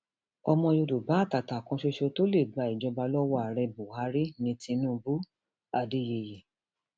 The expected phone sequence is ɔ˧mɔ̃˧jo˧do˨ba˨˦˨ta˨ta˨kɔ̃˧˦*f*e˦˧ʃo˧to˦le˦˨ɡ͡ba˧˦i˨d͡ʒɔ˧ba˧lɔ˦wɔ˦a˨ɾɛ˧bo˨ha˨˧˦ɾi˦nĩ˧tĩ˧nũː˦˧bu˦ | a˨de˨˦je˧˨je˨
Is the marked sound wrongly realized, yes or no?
yes